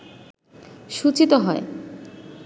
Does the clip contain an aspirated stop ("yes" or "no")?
no